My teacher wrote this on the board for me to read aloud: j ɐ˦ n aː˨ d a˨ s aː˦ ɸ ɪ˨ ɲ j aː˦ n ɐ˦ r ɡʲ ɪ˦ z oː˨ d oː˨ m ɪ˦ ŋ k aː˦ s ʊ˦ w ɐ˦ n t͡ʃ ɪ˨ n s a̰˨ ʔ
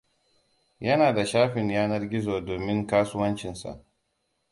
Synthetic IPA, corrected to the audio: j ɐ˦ n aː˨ d a˨ ʃ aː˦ ɸ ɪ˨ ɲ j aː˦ n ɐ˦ r ɡʲ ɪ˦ z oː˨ d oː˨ m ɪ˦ ŋ k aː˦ s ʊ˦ w ɐ˦ n t͡ʃ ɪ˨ n s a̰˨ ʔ